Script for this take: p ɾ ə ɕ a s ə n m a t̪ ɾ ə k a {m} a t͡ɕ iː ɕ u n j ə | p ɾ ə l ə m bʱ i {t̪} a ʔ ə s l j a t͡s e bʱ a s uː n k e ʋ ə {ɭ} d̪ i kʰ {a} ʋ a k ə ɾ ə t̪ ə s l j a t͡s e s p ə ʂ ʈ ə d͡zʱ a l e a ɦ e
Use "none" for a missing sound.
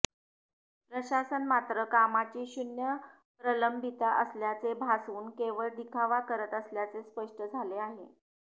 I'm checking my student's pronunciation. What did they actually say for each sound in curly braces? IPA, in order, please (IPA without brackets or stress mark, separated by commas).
m, t̪, ɭ, a